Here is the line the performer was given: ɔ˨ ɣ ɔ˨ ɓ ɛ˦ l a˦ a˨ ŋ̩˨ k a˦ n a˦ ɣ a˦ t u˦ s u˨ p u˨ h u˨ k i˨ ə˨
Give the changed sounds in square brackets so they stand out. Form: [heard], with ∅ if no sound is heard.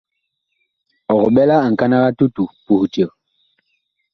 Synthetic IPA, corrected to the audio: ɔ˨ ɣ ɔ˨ ɓ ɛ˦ l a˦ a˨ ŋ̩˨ k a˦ n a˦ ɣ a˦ t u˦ [t] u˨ p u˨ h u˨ [t] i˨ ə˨